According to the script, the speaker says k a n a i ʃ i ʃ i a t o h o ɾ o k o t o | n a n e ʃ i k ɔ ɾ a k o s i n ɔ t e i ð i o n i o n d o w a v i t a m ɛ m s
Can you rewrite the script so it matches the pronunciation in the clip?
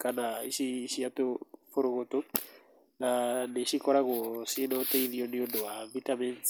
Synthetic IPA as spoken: k a n a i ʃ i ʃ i a t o f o ɾ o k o t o | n a n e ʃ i k ɔ ɾ a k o s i n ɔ t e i ð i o n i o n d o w a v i t a m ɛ n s